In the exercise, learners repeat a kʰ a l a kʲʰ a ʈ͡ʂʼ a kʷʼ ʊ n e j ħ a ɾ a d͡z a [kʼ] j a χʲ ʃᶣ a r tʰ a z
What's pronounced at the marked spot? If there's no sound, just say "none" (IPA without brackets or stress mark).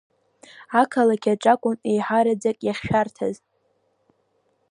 kʼ